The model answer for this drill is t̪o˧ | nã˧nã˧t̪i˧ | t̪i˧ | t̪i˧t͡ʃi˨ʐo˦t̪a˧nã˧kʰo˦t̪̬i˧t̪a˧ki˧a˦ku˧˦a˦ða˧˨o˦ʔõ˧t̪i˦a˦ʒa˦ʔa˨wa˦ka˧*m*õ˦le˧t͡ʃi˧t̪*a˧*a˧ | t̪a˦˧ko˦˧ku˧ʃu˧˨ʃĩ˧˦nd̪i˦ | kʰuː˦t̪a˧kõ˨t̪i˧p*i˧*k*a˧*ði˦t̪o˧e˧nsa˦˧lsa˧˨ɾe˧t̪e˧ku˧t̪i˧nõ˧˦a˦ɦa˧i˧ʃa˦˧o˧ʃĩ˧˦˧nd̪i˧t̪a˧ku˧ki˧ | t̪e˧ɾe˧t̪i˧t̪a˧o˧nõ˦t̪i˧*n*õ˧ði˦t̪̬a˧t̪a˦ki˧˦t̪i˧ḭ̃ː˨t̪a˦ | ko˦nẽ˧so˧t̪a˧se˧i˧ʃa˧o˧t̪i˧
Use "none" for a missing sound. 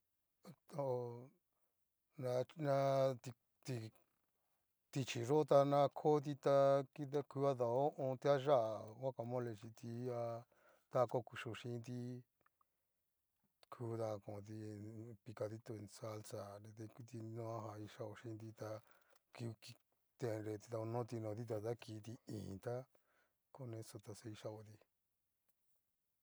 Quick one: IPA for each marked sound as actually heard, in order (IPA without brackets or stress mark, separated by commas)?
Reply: m, i˧, i˧, a˧, n